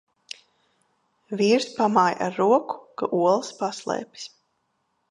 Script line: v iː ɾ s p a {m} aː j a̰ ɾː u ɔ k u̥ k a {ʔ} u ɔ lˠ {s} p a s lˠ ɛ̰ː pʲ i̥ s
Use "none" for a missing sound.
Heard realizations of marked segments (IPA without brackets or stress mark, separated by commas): m, ʔ, s